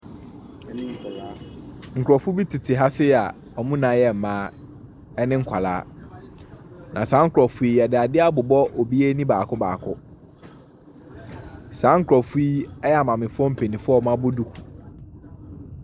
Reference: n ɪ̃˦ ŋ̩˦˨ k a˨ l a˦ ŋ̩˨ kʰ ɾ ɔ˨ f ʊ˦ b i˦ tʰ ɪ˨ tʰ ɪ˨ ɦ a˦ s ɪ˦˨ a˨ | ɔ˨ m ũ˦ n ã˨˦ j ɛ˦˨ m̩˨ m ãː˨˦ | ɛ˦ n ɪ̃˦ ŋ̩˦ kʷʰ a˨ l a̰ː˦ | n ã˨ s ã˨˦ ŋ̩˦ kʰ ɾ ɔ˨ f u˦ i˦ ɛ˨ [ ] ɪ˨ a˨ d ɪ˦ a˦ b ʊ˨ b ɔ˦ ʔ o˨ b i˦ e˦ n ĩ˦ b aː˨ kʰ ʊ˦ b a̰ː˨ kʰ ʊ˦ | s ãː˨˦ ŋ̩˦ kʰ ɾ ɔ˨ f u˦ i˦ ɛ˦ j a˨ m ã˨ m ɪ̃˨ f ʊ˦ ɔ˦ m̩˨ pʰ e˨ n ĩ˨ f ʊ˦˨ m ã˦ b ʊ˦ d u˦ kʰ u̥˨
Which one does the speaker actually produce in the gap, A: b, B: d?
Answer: B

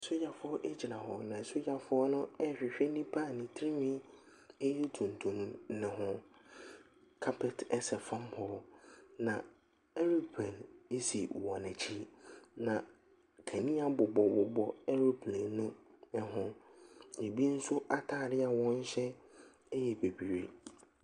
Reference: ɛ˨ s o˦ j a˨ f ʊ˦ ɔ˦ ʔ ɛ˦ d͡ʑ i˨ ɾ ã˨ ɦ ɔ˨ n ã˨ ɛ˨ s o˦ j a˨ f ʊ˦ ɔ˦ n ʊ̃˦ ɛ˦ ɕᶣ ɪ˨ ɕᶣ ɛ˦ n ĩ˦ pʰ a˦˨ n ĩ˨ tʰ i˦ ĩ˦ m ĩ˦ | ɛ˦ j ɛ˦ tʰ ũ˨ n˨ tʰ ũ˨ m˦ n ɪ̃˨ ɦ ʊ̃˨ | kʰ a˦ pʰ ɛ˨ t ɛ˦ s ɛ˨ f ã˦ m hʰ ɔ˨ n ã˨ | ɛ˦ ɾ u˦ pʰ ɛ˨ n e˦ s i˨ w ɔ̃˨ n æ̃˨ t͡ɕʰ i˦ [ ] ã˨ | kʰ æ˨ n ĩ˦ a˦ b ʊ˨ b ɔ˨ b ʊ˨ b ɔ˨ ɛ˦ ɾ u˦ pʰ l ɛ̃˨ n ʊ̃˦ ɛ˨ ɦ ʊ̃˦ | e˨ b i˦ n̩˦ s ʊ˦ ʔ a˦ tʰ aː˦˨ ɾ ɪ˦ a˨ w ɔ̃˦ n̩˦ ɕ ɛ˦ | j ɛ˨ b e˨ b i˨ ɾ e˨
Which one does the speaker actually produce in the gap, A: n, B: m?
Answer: A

